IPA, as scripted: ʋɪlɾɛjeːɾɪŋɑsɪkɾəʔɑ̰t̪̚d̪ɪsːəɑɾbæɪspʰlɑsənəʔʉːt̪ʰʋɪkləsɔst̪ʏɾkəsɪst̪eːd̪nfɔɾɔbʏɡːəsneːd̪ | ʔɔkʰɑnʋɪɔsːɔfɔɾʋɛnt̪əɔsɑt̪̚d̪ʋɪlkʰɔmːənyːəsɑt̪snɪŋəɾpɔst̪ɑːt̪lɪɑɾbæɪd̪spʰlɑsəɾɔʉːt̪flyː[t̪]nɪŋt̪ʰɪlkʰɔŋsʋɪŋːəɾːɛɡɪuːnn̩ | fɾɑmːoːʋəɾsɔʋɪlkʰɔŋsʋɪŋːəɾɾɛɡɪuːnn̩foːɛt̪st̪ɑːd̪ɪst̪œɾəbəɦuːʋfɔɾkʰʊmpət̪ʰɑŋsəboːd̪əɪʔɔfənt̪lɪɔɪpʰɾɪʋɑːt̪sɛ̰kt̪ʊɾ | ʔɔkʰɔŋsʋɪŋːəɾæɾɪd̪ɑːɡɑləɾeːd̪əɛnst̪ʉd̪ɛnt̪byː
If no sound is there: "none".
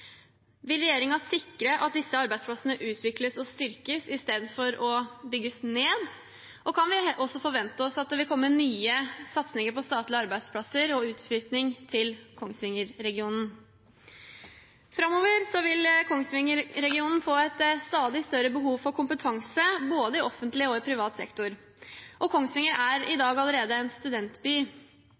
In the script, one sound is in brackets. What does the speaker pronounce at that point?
t̪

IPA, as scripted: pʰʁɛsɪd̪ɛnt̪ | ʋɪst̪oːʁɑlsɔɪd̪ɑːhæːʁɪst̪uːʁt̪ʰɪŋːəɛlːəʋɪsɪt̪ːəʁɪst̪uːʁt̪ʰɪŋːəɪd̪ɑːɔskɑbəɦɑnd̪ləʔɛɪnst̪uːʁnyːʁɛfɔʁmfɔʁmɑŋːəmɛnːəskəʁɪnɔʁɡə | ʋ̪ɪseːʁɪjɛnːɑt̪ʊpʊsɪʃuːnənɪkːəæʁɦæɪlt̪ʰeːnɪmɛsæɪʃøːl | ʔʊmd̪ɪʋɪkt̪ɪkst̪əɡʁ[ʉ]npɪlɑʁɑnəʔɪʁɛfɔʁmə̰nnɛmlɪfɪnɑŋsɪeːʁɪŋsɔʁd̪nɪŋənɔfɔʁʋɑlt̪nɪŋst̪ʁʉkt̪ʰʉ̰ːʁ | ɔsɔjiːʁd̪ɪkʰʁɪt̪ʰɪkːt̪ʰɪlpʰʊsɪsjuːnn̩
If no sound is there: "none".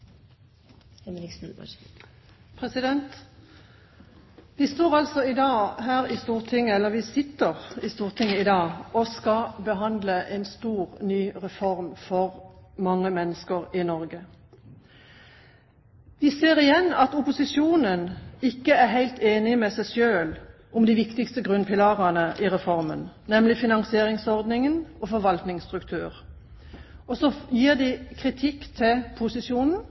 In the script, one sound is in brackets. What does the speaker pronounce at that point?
ʉ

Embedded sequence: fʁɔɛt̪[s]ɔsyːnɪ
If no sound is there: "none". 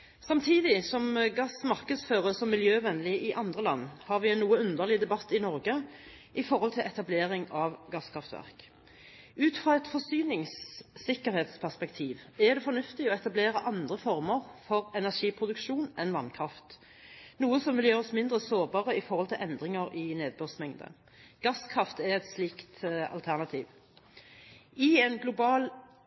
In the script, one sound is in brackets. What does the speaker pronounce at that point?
f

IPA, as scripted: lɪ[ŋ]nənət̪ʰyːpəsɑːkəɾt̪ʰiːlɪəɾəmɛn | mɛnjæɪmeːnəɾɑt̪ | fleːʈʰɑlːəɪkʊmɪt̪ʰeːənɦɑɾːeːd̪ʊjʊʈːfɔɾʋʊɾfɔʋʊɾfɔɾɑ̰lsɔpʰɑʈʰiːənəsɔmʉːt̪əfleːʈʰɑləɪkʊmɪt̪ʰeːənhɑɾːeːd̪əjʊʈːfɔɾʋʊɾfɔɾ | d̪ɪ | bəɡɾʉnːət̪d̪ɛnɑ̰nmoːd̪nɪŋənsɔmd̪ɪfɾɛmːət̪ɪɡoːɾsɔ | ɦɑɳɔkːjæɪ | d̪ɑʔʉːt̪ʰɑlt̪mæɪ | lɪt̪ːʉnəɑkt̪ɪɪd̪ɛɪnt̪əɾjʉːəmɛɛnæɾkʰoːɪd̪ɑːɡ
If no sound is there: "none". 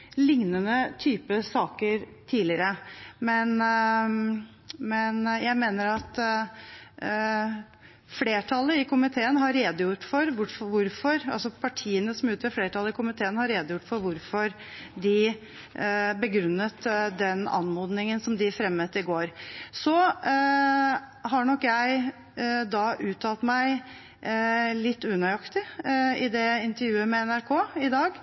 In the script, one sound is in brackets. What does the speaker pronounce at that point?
ŋ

